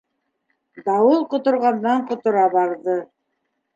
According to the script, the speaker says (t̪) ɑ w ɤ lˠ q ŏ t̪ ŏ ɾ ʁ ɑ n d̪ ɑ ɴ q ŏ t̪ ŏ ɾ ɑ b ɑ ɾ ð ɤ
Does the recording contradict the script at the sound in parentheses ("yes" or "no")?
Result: yes